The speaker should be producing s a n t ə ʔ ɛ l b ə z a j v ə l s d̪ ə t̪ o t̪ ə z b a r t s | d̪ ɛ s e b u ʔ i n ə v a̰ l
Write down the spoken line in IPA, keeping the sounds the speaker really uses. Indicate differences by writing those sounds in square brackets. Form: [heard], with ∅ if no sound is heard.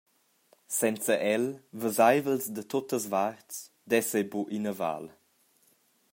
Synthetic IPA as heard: s [ɛ] n [t͡s] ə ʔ ɛ l [v] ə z a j v ə l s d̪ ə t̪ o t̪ ə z [v] a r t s | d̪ ɛ s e b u ʔ i n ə v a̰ l

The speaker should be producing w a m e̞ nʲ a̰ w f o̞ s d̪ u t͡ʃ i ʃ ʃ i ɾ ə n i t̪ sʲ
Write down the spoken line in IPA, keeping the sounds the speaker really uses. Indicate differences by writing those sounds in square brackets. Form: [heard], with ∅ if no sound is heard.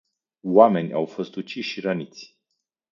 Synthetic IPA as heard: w a m e̞ nʲ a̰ w f o̞ s [t̪] u t͡ʃ i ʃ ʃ i ɾ ə n i t̪ sʲ

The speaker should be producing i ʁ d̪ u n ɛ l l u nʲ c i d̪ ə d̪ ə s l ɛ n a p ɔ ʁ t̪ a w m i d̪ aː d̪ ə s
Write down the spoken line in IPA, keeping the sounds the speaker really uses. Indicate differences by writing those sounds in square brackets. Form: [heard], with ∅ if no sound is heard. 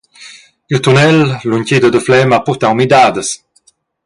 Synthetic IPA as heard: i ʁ [t̪] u n ɛ l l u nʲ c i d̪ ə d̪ ə [f] l ɛ [m] a p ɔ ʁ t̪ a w m i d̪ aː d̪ ə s

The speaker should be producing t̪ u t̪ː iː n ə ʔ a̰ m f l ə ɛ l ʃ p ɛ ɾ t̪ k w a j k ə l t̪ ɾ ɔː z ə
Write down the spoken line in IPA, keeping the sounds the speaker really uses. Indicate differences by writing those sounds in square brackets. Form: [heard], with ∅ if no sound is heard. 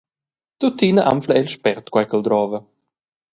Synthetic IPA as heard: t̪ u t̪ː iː n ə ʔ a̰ m f l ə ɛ l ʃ p ɛ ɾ t̪ k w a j k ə l [d̪] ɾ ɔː [v] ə

